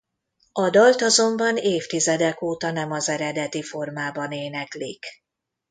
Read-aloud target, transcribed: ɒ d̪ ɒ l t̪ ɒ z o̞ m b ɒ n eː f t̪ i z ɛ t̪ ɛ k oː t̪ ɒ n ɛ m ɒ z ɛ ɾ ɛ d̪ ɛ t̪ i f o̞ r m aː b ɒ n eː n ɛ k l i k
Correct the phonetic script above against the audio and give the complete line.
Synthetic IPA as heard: ɒ d̪ ɒ l t̪ ɒ z o̞ m b ɒ n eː f t̪ i z ɛ d̪ ɛ k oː t̪ ɒ n ɛ m ɒ z ɛ ɾ ɛ d̪ ɛ t̪ i f o̞ r m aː b ɒ n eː n ɛ k l i k